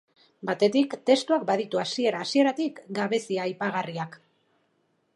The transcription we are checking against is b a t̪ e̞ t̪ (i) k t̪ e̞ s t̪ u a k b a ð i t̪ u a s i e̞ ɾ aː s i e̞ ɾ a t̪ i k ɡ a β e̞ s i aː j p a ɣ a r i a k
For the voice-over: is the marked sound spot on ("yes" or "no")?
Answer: yes